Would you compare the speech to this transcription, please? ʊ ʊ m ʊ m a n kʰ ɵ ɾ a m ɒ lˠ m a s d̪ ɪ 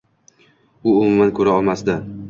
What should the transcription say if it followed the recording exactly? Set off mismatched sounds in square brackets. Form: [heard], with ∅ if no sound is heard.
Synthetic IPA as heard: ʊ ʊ m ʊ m a n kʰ ɵ ɾ a [∅] ɒ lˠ m a s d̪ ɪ